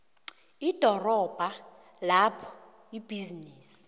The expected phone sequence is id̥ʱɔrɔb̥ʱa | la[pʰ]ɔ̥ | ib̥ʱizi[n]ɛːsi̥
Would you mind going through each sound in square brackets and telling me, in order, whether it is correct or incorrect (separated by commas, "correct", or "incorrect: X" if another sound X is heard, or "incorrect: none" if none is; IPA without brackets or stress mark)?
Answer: correct, correct